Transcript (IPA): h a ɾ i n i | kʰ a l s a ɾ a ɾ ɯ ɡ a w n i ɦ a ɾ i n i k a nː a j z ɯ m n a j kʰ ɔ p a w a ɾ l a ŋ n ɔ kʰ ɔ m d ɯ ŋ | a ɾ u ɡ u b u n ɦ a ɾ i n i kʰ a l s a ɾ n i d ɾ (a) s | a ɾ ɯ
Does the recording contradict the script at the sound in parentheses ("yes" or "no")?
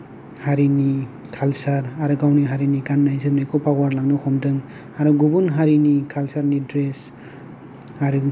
yes